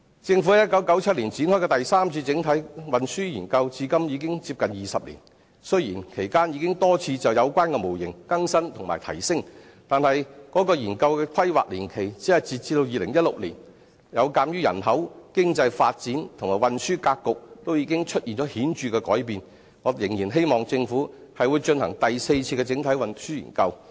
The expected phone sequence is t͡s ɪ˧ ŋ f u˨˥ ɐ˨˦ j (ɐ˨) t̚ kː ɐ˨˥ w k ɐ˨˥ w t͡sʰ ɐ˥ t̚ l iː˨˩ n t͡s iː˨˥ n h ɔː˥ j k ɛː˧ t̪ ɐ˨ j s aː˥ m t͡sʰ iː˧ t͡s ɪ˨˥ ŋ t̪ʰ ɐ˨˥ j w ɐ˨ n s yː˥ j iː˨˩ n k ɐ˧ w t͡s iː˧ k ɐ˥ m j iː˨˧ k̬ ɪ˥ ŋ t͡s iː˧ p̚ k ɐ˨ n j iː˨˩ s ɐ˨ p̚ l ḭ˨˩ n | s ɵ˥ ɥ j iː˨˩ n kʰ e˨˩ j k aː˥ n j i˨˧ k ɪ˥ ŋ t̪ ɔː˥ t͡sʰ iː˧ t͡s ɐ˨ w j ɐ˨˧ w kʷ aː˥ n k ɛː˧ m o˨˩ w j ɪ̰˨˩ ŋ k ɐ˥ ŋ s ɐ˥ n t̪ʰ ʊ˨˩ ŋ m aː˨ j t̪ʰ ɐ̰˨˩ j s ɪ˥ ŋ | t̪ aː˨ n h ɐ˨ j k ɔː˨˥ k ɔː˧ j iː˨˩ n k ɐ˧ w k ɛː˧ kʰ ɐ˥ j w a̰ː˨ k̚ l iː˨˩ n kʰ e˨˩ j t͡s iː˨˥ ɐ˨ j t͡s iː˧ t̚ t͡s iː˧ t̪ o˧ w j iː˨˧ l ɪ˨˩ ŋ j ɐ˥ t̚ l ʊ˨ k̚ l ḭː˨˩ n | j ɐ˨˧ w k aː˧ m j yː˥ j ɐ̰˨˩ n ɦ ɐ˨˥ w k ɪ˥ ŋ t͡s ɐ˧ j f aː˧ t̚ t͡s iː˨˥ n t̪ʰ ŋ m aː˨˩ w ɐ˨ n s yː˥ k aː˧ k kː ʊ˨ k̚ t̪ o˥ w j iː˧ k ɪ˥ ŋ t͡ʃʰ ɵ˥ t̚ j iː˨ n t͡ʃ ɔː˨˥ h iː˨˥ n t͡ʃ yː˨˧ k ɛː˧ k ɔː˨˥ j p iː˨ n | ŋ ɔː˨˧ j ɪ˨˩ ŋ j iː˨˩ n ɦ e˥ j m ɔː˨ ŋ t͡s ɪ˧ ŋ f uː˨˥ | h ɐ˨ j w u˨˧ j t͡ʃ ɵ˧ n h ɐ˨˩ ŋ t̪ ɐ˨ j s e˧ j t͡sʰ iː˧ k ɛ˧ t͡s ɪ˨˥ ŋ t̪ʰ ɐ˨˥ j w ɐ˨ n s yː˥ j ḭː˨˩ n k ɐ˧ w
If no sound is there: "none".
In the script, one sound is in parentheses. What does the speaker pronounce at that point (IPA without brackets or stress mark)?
ɐ˥